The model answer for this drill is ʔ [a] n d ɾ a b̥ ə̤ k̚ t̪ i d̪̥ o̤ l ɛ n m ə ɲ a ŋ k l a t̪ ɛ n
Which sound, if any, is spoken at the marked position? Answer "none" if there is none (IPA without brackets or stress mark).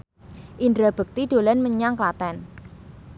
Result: i